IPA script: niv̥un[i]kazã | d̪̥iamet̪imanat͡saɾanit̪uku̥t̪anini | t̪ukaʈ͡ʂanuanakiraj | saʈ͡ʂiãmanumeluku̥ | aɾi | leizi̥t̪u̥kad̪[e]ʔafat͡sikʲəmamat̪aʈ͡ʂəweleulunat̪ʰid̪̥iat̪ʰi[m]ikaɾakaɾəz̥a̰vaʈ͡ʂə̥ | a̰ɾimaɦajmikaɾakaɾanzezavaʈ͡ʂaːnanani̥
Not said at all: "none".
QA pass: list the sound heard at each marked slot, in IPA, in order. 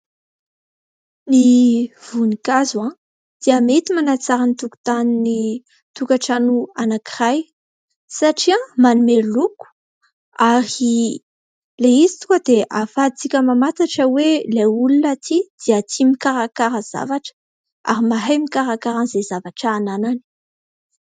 i, e, m

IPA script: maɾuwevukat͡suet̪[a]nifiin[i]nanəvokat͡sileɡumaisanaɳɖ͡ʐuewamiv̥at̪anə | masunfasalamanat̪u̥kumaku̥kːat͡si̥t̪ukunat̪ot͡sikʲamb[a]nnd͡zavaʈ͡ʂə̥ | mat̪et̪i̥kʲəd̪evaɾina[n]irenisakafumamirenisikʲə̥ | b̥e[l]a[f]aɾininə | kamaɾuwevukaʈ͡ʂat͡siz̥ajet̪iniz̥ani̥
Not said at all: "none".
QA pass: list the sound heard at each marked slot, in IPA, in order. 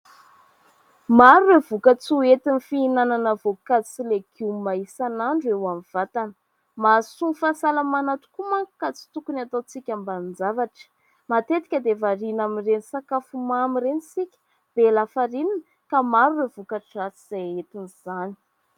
i, a, a, m, l, f

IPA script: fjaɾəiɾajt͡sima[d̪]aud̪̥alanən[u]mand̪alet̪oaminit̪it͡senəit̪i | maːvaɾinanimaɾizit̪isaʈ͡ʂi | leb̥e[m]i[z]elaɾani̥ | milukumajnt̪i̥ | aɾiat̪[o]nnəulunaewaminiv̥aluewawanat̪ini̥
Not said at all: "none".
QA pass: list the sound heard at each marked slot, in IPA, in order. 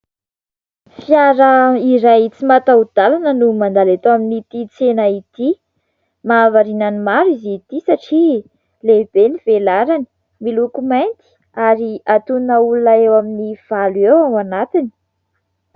t̪, u, n, v, u

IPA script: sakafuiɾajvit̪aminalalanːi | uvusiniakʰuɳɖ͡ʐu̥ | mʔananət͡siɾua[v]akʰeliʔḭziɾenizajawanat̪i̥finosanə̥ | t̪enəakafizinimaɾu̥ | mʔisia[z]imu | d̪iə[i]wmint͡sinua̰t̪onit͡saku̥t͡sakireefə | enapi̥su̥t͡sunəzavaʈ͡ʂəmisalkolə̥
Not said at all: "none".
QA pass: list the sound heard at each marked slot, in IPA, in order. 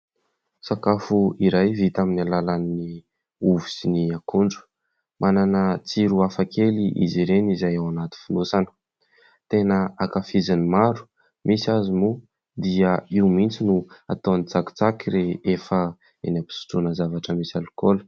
f, z, i

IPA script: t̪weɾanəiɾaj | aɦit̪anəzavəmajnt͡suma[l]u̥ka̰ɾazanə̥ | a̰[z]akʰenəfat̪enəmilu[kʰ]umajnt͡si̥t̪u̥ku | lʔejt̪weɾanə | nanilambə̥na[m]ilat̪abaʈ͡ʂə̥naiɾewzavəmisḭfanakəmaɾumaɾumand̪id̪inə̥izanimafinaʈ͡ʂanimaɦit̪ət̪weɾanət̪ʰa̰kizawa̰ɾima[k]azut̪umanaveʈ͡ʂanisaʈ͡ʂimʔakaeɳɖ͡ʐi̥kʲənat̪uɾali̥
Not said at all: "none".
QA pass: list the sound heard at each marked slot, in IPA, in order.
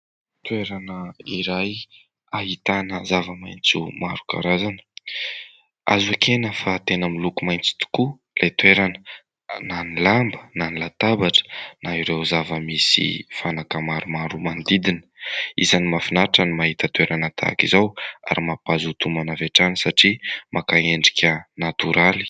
ɾ, z, k, n, p

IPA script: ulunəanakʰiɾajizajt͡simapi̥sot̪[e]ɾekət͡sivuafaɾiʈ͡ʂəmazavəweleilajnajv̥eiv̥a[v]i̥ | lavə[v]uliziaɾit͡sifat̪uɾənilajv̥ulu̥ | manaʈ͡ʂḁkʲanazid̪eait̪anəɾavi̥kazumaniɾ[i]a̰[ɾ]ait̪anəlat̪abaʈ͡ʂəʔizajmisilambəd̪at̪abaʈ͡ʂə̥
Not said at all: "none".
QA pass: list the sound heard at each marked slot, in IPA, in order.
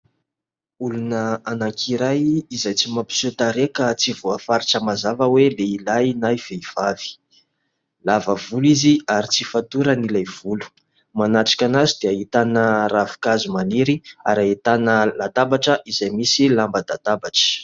a, v, v, i, ɾ

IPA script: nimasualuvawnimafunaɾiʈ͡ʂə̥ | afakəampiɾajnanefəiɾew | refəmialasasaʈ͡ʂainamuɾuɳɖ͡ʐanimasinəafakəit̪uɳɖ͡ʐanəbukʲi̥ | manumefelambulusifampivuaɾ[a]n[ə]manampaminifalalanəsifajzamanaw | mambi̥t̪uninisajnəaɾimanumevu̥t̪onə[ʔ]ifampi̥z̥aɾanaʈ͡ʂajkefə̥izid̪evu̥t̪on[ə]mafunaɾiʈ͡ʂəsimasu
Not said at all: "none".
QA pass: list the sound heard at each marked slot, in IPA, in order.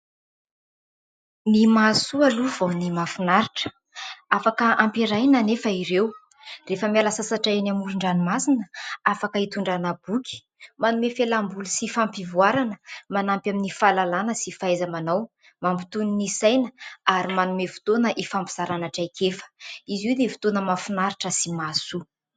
a, ə, ʔ, ə

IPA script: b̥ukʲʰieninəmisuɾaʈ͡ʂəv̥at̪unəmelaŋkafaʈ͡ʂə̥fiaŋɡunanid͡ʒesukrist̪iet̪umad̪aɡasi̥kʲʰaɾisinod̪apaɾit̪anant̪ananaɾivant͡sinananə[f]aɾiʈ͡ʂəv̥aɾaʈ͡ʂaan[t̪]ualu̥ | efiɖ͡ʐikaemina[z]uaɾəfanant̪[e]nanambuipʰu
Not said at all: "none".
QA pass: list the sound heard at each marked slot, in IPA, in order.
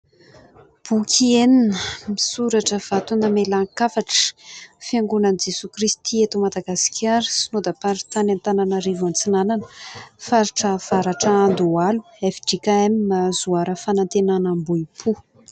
f, d̪, z, e

